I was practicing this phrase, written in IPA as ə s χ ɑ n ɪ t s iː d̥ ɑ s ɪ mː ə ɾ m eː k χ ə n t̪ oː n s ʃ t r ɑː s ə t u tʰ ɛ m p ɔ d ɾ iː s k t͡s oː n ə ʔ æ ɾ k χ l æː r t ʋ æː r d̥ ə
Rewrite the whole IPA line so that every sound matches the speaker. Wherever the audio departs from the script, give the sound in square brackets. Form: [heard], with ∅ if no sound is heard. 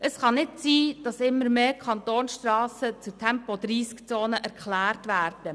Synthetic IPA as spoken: ə s χ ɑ n ɪ t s iː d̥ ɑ s ɪ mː ə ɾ m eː k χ [ɑ] n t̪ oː n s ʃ t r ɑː s ə [t͡s] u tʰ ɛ m p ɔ d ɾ iː s k t͡s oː n ə ʔ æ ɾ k χ l æː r t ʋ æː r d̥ ə